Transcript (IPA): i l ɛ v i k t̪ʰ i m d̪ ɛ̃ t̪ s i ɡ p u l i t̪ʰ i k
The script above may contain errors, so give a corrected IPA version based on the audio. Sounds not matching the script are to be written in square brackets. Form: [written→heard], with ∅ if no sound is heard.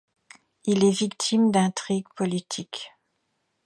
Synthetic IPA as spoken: i l ɛ v i k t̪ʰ i m d̪ ɛ̃ t̪ [s→χ] i ɡ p [u→ɔ] l i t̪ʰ i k